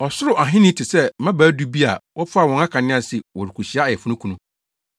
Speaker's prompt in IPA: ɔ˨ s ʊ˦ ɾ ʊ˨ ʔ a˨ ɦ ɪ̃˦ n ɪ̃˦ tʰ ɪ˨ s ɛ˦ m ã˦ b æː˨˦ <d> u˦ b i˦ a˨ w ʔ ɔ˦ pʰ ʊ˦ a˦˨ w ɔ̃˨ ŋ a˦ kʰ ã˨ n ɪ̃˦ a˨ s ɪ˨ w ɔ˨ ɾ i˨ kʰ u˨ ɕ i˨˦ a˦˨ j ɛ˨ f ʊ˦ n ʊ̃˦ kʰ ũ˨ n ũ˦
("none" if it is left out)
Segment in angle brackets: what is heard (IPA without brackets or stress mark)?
d